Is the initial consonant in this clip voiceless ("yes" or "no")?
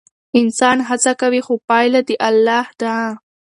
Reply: no